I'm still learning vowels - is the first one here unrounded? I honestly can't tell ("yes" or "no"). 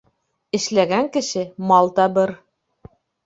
yes